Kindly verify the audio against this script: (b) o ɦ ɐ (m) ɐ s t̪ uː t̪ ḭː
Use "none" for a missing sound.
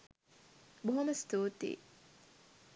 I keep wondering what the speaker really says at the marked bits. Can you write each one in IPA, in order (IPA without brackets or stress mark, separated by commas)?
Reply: b, m